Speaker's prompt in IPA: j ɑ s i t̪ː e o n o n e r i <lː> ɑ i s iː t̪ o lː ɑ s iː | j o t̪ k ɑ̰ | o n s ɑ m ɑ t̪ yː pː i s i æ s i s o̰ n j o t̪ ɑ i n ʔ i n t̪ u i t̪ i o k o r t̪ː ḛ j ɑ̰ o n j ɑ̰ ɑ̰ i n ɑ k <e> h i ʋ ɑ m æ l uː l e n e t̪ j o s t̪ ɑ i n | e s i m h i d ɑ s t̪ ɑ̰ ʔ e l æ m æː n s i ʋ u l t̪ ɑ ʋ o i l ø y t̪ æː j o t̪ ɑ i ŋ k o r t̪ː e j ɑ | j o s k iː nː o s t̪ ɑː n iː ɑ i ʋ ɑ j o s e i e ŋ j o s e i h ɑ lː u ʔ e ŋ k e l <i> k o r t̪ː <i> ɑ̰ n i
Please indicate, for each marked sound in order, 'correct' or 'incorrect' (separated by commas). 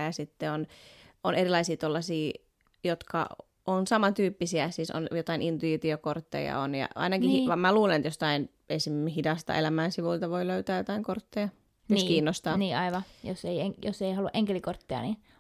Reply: incorrect, incorrect, correct, incorrect